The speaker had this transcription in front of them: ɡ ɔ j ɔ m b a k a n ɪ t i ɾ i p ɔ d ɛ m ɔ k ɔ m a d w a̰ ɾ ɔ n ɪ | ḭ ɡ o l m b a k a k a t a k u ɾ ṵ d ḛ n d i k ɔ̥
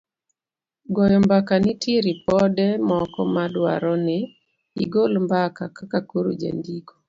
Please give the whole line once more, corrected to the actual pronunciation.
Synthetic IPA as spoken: ɡ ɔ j ɔ m b a k a n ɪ t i ɾ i p ɔ d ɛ m ɔ k ɔ m a d w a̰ ɾ ɔ n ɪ | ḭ ɡ o l m b a k a k a k a k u ɾ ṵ d͡ʒ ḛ n d i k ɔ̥